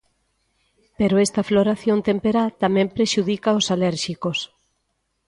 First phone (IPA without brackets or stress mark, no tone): p